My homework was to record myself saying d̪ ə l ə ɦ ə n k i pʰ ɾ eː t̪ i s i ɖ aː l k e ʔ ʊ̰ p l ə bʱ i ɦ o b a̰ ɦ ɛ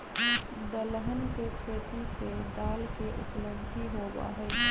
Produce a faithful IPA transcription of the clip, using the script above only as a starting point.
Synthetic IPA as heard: d̪ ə l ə ɦ ə n k e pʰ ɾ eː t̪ i s e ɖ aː l k e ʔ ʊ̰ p l ə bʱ i ɦ o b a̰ ɦ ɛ